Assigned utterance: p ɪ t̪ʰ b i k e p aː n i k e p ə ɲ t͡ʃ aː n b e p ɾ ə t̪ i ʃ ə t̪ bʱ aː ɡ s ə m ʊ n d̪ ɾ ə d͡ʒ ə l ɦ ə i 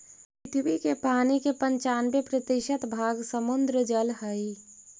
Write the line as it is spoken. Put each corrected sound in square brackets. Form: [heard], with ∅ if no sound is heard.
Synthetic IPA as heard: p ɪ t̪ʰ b i k e p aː n i k e p ə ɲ t͡ʃ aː n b e p ɾ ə t̪ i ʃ ə t̪ bʱ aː ɡ s ə m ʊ n d̪ ɾ ə d͡ʒ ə l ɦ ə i